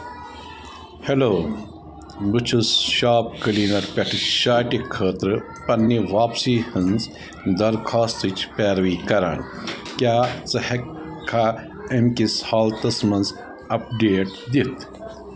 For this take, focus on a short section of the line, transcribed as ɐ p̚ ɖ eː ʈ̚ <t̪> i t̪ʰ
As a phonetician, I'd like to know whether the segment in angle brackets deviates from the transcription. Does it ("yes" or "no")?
yes